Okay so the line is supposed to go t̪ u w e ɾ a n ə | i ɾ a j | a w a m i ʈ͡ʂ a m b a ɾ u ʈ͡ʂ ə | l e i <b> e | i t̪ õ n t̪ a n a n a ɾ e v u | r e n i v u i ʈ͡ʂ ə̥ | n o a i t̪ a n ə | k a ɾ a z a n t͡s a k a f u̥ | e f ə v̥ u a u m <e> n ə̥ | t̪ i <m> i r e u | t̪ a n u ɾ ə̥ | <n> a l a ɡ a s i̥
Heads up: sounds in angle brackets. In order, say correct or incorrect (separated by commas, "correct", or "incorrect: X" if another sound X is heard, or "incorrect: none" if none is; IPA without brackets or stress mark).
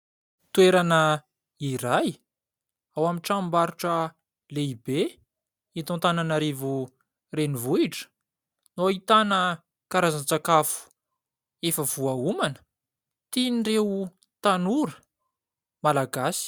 correct, incorrect: a, incorrect: n, incorrect: m